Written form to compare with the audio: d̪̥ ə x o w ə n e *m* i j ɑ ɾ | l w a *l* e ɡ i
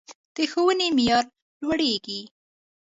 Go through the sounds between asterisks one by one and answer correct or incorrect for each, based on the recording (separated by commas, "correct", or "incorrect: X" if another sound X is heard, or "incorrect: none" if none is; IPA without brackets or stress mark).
correct, incorrect: ɽ